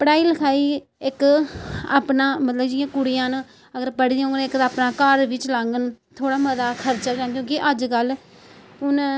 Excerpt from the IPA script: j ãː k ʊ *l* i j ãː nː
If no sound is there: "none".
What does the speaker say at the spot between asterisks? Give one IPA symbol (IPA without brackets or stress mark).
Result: ɽ